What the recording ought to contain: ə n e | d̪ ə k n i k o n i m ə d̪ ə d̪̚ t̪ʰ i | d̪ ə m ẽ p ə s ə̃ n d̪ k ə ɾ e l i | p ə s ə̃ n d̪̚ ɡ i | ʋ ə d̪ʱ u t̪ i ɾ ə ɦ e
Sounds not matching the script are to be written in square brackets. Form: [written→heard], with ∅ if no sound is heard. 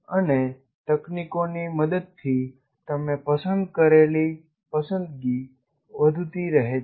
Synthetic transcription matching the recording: ə n e | [d̪→t̪] ə k n i k o n i m ə d̪ ə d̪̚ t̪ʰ i | [d̪→t̪] ə m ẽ p ə s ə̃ n d̪ k ə ɾ e l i | p ə s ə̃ n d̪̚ ɡ i | ʋ ə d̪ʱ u t̪ i ɾ ə ɦ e